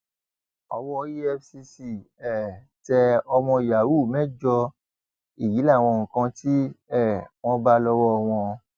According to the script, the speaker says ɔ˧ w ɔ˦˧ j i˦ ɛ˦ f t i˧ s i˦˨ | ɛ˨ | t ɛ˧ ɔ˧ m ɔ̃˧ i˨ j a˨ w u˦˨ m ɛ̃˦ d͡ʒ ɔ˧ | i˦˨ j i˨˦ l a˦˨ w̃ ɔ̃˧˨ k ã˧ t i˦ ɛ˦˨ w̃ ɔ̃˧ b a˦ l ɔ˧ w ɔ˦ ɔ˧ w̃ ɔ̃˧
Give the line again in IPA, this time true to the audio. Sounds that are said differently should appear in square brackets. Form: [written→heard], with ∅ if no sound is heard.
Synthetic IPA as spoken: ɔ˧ w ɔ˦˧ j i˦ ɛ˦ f [t→s] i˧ s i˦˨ | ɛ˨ | t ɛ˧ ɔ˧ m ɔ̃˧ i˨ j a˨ w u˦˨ m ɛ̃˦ d͡ʒ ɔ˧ | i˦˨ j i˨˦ l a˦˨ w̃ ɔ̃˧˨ k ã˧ t i˦ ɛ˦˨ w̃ ɔ̃˧ b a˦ l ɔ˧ w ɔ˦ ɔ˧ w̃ ɔ̃˧